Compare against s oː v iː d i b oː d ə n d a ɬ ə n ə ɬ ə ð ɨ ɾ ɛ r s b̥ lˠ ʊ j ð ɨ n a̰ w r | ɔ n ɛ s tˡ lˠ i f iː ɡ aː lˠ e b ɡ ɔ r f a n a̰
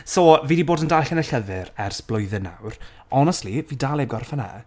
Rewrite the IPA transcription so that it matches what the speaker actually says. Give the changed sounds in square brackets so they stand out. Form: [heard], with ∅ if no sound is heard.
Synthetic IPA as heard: s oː v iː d i b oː d ə n d a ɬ ə n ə ɬ ə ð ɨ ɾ ɛ r s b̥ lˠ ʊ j ð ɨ n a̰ w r | ɔ n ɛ s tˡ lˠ i [v] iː [d] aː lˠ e b ɡ ɔ r f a n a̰